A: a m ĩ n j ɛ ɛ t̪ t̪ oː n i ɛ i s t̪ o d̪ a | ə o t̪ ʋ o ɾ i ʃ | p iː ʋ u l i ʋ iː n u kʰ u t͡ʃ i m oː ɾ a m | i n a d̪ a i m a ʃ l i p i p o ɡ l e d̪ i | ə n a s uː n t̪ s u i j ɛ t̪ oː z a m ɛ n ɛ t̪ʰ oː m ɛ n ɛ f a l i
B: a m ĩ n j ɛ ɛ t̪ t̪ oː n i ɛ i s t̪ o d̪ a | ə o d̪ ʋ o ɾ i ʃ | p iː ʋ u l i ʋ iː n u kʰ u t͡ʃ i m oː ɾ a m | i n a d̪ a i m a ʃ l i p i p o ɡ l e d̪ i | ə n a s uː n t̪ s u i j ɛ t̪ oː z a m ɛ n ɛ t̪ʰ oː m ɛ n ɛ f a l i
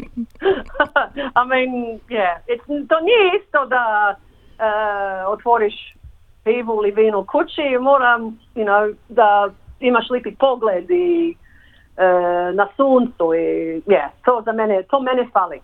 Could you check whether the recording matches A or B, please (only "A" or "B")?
A